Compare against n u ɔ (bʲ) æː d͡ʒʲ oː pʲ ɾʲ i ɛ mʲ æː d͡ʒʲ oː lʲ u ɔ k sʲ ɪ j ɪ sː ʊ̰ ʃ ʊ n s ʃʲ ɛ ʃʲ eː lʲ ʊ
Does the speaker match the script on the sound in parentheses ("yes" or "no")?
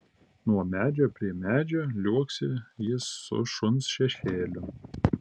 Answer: no